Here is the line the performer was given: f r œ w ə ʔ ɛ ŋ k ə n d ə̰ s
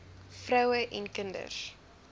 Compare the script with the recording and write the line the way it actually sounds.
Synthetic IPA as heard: f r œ w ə ʔ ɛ n k ə n d ə̰ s